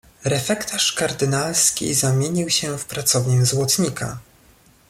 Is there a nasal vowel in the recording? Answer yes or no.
no